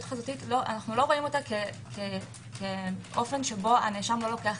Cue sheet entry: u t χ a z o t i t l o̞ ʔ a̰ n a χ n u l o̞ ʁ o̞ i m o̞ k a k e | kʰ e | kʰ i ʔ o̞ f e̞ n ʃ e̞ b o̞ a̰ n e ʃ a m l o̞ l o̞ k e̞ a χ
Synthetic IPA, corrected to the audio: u t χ a z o t i t l o̞ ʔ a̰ n a χ n u l o̞ ʁ o̞ i m o̞ t a k e | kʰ e | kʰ e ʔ o̞ f e̞ n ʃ e̞ b o̞ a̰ n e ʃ a m l o̞ l o̞ k e̞ a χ